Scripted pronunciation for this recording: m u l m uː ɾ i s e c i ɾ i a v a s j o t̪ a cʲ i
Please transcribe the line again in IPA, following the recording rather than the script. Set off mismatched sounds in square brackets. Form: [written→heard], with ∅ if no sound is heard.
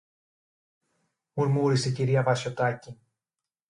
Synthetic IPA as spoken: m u [l→ɾ] m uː ɾ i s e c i ɾ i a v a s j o t̪ a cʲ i